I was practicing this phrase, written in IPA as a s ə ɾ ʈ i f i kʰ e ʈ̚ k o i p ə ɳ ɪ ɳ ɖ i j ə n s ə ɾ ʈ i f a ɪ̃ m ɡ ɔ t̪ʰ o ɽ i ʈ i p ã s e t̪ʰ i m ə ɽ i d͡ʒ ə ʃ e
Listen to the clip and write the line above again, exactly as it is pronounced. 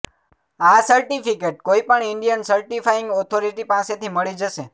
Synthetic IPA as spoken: a s ə ɾ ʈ i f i k e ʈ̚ k o i p ə ɳ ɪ ɳ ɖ i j ə n s ə ɾ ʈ i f a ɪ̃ ŋ ɡ ɔ t̪ʰ o ɾ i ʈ i p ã s e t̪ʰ i m ə ɭ i d͡ʒ ə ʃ e